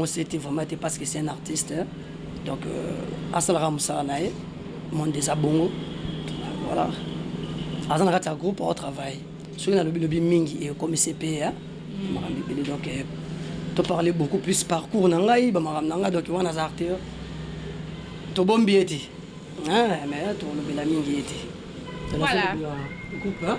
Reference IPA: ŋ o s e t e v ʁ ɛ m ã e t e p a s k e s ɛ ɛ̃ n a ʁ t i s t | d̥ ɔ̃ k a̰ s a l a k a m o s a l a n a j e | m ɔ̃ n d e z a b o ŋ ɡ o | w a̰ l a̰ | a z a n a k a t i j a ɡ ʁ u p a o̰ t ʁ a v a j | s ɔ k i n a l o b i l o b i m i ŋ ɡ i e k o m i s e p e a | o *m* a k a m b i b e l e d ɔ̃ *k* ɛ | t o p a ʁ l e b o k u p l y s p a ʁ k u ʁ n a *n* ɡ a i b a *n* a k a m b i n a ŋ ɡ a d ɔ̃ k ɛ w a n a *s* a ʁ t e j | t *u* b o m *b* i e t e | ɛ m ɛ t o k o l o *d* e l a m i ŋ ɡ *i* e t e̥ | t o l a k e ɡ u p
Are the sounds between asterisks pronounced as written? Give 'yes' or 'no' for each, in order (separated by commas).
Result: yes, yes, no, no, no, no, yes, no, yes